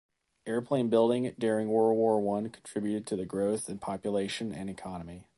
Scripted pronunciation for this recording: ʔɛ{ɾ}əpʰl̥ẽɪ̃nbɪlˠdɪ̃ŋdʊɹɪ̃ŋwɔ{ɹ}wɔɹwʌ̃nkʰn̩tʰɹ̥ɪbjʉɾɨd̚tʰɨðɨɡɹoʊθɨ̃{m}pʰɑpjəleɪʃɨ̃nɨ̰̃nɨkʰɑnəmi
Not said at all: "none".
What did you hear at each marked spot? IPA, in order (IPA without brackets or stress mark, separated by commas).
ɹ, ɹ, n